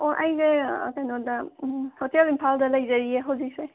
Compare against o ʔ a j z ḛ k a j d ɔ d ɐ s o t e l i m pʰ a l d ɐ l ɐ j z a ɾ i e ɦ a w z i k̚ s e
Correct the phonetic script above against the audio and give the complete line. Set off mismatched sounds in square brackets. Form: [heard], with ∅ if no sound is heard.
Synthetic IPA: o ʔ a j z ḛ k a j [n] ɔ d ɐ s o t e l i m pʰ a l d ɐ l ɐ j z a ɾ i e ɦ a w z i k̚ s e